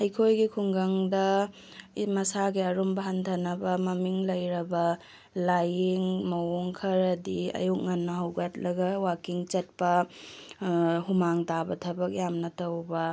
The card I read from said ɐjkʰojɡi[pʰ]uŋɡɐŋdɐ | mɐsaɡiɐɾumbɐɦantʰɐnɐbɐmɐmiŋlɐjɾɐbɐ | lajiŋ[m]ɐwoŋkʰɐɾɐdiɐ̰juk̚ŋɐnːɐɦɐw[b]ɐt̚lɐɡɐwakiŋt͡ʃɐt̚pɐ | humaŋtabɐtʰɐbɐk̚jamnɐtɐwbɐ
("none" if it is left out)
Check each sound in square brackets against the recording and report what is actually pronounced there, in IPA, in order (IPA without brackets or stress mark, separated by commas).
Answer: kʰ, m, ɡ